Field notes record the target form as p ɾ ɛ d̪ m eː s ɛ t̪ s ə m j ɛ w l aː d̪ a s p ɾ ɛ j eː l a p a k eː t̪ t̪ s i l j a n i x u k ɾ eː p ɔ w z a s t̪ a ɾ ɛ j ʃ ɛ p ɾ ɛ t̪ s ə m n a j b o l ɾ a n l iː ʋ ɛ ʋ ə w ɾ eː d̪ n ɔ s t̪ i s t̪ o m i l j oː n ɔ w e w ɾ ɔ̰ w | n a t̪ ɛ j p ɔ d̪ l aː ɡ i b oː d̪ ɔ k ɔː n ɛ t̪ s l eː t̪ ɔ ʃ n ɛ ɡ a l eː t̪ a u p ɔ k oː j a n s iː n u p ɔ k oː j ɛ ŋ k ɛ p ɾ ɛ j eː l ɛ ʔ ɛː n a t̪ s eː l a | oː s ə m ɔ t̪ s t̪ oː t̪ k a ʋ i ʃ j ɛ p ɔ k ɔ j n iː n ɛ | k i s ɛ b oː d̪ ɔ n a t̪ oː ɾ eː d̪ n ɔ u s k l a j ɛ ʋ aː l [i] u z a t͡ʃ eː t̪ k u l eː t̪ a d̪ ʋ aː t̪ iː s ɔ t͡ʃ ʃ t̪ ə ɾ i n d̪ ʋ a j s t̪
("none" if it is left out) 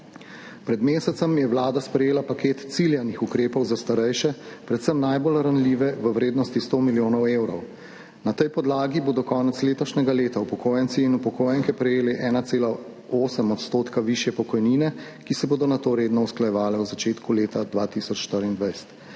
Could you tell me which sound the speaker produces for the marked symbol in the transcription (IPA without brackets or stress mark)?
ɛ